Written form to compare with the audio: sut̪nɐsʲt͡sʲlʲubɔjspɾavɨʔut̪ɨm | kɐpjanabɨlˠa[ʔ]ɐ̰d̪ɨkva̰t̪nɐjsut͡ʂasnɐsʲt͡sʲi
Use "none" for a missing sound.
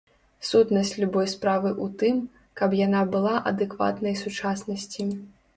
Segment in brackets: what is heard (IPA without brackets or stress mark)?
ʔ